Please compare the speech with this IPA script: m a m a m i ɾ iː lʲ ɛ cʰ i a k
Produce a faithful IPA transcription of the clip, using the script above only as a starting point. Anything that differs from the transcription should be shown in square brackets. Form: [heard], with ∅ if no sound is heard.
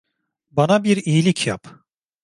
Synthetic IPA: [b] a [n] a [b] i ɾ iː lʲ [i] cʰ [j] a [p]